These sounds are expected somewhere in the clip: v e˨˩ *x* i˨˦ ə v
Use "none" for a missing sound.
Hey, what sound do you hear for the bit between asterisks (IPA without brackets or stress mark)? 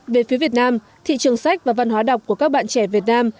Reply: f